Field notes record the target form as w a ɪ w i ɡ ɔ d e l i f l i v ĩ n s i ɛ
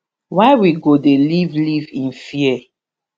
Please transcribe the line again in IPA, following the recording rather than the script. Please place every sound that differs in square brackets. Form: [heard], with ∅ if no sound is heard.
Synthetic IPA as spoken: w a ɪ w i ɡ [o] d e l i [v] l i v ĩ n [f] i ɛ